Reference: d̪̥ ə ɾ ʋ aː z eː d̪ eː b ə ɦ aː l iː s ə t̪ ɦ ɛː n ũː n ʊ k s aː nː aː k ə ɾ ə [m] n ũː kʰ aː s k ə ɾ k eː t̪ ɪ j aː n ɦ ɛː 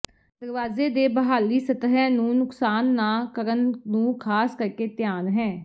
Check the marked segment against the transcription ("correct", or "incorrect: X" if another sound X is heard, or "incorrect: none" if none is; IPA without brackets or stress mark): incorrect: n